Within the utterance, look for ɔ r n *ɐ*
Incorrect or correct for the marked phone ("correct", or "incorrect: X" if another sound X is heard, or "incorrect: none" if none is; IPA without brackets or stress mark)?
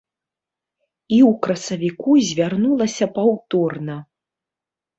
correct